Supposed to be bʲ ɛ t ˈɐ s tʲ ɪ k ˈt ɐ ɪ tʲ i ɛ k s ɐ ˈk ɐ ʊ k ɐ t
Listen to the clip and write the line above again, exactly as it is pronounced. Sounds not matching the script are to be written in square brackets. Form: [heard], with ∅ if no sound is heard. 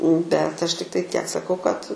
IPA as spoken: bʲ ɛ t ˈɐ [ʃ] tʲ ɪ k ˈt ɐ ɪ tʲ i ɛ k s ɐ ˈk ɐ ʊ k ɐ t